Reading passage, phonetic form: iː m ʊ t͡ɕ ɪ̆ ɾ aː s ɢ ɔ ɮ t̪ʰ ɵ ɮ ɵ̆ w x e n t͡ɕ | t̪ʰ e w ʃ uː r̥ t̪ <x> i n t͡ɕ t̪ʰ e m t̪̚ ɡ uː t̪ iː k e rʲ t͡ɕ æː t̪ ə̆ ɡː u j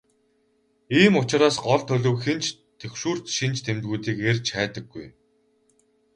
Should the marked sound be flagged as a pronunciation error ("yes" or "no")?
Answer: yes